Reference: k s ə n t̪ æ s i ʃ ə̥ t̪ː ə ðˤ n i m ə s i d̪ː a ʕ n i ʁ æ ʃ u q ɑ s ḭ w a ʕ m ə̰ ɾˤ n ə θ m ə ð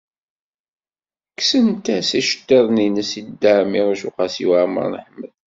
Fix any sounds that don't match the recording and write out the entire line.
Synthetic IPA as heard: k s ə n t̪ æ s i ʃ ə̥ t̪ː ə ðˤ n i n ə s i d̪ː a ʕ m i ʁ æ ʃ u q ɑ s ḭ w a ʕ m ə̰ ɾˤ n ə ħ m ə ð